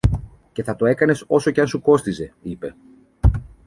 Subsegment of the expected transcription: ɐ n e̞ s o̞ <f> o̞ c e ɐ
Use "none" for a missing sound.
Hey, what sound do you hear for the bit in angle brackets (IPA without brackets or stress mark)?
s